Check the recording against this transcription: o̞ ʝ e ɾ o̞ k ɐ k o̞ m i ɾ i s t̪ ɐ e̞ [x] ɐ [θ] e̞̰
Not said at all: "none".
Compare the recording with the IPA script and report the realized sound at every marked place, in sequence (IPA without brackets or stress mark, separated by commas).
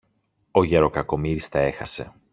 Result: x, s